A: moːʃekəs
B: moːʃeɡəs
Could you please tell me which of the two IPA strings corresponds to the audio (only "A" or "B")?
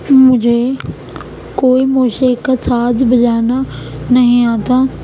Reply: A